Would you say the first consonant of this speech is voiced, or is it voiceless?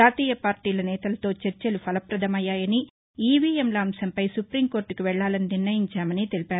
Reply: voiceless